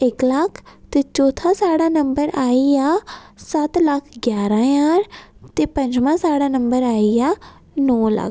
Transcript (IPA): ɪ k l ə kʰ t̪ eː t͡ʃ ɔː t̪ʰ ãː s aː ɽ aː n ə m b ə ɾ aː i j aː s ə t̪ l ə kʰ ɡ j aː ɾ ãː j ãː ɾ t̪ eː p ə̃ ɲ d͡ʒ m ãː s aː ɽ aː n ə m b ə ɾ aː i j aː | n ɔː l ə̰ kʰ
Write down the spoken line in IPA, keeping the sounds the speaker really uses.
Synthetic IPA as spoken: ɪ k l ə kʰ t̪ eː t͡ʃ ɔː t̪ʰ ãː s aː ɽ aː n ə m b ə ɾ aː i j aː s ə t̪ l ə kʰ ɡ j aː ɾ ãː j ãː ɾ t̪ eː p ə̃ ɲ d͡ʒ m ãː s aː ɽ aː n ə m b ə ɾ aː i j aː | n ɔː l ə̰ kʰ